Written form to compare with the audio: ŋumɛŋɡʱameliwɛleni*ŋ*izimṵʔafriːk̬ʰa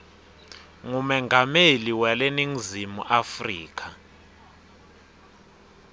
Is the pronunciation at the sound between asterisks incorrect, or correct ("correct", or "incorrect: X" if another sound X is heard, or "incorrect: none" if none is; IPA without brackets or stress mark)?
correct